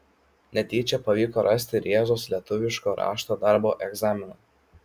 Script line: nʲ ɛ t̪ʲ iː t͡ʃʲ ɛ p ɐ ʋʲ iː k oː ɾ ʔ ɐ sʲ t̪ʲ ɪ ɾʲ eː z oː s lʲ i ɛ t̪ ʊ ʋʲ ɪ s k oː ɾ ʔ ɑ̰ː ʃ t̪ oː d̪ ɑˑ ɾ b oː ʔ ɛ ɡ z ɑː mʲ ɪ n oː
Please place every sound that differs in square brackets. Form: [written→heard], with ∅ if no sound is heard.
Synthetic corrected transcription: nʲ ɛ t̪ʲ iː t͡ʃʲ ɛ p ɐ ʋʲ iː k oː ɾ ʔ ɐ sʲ t̪ʲ ɪ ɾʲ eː z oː s lʲ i ɛ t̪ ʊ ʋʲ ɪ [s→ʃ] k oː ɾ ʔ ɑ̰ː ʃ t̪ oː d̪ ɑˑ ɾ b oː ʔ ɛ ɡ z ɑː mʲ ɪ n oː